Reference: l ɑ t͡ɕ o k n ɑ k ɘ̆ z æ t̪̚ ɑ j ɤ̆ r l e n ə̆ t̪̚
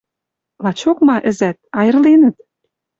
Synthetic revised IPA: l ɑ t͡ɕ o k m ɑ ʔ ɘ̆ z æ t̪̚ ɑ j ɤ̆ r l e n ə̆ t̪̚